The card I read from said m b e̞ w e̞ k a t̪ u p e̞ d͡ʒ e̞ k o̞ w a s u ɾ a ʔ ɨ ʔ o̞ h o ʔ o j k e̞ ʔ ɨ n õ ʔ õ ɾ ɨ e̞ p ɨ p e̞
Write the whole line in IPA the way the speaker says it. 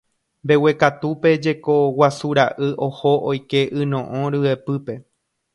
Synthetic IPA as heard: m b e̞ w e̞ k a t̪ u p e̞ d͡ʒ e̞ k o̞ w a s u ɾ a ʔ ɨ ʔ o̞ h o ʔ o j k e̞ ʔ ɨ n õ ʔ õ ɾ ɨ e̞ p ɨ p e̞